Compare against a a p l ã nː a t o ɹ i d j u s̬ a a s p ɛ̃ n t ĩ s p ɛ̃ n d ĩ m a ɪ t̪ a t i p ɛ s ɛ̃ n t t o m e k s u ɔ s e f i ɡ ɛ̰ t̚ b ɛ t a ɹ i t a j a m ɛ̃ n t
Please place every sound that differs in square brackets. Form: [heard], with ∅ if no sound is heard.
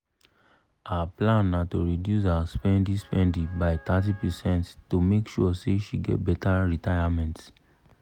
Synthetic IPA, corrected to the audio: a a p l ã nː a t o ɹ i d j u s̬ a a s p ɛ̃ n [d] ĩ s p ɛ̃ n d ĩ [b] a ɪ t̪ a t i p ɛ s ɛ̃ n t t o m e k [ʃ] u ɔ s e [ʃ] i ɡ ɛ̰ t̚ b ɛ t a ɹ i t a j a m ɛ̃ n t